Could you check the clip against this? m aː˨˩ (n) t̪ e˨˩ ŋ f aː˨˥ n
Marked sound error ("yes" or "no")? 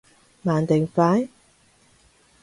no